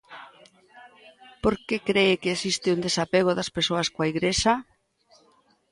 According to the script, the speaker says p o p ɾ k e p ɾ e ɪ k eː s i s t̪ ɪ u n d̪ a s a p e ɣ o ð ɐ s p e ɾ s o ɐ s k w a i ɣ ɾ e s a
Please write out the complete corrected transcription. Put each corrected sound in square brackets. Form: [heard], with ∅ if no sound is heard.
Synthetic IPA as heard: p o [∅] ɾ k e [k] ɾ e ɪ k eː s i s t̪ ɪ u n d̪ [e] s a p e ɣ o ð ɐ s p e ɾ s o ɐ s k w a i ɣ ɾ e s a